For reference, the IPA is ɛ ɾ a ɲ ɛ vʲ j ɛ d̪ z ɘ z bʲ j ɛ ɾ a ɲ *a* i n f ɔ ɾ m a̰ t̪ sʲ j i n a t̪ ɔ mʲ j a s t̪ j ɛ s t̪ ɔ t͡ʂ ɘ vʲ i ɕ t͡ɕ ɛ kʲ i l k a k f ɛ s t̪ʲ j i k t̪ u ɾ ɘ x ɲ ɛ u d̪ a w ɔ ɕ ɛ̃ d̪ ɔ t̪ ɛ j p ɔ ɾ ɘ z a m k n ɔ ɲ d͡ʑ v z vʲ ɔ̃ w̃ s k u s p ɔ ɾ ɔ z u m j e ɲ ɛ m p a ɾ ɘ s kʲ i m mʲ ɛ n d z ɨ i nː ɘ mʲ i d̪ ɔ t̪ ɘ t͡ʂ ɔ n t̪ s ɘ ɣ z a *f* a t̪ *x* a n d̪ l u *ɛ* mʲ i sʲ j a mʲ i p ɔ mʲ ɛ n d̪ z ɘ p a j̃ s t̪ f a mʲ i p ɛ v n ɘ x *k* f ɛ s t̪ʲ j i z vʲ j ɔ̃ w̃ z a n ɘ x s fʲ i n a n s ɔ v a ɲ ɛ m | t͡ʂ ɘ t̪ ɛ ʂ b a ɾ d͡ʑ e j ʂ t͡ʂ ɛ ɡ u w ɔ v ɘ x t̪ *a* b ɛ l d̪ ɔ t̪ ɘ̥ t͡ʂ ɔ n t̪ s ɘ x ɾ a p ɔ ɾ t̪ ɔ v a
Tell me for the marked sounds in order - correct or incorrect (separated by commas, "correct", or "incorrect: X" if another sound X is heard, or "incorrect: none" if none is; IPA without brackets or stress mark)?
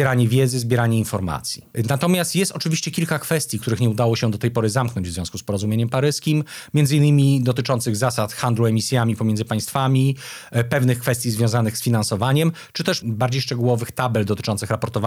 incorrect: ɛ, incorrect: s, correct, correct, correct, correct